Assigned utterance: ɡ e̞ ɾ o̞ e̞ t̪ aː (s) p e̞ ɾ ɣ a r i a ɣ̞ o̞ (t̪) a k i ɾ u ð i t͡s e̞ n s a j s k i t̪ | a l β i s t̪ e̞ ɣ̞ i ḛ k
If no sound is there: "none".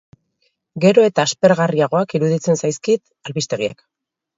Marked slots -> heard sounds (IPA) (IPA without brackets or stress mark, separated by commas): s, none